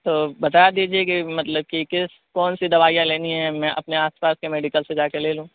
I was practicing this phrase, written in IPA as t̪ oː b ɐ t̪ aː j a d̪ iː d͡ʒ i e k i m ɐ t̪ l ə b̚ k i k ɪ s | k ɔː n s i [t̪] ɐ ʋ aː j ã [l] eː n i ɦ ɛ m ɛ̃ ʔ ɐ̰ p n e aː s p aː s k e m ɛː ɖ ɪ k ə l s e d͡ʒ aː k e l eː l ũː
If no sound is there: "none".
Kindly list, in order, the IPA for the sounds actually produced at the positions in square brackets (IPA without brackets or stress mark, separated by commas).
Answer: d̪, l